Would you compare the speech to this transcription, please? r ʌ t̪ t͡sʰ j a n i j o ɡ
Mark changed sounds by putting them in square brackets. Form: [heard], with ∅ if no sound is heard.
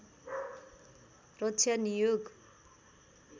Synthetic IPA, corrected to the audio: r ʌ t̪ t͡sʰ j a n i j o ɡ